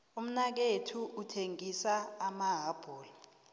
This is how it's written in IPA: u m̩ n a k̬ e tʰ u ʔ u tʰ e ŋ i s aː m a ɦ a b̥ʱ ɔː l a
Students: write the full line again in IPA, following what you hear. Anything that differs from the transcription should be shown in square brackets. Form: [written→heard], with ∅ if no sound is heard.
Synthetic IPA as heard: u m̩ n a k̬ e tʰ u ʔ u tʰ e ŋ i s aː m a ɦ a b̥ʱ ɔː l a